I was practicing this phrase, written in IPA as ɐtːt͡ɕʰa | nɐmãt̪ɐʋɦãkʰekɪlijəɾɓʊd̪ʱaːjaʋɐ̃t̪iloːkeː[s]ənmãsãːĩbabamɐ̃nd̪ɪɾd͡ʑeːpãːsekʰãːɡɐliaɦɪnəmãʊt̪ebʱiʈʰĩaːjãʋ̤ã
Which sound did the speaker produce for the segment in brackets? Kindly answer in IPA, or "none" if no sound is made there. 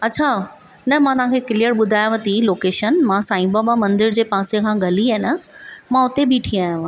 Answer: ʃ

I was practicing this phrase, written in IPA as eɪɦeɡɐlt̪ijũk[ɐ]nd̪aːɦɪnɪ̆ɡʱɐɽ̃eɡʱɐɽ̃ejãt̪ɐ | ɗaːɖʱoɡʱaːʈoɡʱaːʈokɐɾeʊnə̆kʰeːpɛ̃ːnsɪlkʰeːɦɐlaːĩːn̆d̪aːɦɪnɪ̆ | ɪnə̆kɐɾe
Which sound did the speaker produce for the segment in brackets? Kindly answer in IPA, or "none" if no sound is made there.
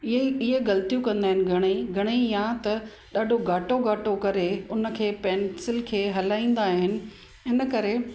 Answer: ɐ̃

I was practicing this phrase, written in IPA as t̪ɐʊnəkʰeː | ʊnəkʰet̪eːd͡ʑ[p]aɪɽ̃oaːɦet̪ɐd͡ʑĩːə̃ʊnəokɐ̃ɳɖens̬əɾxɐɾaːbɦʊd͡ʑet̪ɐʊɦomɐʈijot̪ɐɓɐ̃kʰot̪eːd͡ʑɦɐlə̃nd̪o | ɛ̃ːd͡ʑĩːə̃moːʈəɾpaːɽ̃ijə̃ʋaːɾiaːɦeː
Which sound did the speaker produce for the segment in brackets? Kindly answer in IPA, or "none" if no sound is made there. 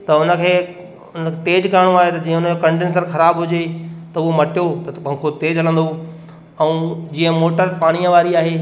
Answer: k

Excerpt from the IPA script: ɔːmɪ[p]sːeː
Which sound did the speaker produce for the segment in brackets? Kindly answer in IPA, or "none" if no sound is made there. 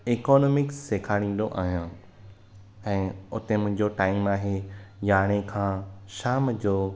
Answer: k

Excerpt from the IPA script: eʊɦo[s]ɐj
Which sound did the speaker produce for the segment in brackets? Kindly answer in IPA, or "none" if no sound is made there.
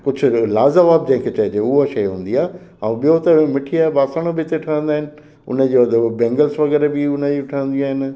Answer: ʃ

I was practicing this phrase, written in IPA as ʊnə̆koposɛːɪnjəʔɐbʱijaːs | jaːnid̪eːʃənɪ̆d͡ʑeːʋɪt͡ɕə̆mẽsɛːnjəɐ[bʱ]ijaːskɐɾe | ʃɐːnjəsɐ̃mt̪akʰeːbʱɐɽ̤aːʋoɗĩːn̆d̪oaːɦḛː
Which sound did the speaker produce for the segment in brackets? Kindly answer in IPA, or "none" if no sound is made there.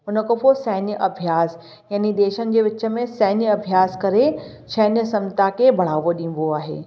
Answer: bʱ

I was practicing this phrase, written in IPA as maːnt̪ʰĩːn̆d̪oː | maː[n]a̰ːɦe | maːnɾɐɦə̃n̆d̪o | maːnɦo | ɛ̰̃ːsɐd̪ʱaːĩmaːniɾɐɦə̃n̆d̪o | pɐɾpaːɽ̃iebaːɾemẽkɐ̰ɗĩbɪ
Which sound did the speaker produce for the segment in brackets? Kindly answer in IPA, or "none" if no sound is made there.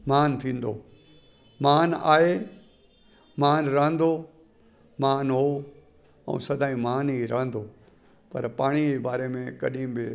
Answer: n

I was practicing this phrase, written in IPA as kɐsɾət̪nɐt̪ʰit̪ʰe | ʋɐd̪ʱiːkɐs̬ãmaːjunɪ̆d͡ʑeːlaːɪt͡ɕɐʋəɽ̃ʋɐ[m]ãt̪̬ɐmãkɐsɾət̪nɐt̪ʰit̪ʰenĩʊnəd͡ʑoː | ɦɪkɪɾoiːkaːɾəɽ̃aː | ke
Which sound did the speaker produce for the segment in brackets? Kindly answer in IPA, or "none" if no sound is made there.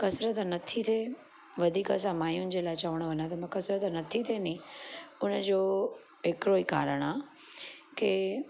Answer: ɲ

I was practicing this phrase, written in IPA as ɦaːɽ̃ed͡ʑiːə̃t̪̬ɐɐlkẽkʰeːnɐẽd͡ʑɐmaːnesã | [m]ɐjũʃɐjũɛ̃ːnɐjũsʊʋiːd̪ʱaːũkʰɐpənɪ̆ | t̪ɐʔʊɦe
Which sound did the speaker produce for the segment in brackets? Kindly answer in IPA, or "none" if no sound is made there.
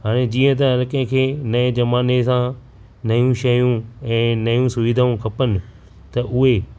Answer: n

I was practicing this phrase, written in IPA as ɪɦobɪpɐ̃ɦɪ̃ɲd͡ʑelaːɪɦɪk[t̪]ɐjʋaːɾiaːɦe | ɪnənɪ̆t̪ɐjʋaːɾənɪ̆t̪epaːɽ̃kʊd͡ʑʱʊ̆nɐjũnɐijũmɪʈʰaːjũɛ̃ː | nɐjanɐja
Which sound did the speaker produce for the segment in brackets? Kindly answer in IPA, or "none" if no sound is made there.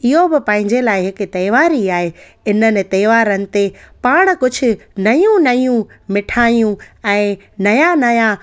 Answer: t̪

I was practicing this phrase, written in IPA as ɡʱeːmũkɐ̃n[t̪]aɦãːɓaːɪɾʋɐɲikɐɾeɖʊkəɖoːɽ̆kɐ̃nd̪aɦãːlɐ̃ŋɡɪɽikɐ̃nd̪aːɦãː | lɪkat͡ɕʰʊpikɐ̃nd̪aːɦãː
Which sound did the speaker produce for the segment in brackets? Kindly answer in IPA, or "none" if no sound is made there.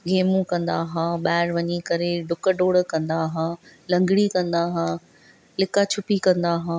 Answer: d̪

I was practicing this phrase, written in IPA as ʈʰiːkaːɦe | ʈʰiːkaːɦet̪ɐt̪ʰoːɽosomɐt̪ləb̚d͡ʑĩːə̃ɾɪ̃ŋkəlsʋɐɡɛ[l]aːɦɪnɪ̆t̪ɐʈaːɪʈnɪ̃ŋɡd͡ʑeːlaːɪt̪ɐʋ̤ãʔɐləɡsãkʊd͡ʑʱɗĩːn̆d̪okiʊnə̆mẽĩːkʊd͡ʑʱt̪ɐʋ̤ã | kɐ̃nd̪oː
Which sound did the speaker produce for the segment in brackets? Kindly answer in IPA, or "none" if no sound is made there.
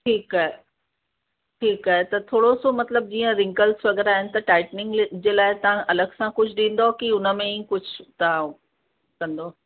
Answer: ɾ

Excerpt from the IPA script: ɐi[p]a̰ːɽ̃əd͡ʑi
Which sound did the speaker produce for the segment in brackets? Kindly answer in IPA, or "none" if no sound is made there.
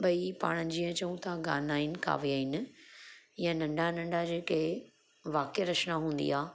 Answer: p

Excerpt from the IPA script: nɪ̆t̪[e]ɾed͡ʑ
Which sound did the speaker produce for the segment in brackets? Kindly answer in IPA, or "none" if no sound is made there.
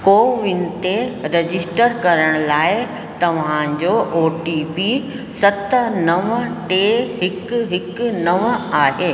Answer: e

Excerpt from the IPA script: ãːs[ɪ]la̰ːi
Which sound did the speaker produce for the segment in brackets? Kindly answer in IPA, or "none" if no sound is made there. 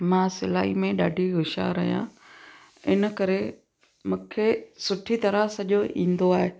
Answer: ɪ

